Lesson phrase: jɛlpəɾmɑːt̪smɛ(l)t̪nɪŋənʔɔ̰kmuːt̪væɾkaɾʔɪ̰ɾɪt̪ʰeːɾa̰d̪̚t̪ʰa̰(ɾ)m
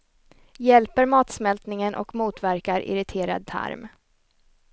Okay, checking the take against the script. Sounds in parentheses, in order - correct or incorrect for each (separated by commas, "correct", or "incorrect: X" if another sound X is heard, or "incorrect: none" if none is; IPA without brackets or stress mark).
correct, correct